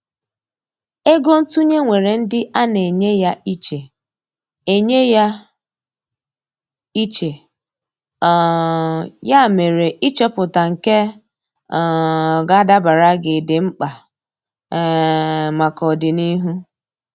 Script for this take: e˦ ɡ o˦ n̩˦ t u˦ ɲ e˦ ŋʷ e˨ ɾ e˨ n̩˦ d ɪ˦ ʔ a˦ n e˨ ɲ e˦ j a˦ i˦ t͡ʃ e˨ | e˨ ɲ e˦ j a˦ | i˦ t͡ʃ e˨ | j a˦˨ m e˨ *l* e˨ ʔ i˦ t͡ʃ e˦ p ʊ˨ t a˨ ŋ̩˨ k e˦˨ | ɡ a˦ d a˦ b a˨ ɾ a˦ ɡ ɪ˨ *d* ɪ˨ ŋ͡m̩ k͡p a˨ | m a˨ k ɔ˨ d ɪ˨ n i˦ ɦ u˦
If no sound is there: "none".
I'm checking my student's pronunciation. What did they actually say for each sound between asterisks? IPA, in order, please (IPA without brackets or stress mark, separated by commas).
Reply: ɾ, d